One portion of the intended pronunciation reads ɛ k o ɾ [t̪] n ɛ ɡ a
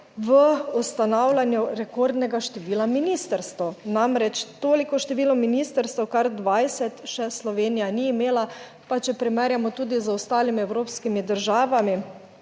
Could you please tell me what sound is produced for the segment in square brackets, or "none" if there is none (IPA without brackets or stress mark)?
d̪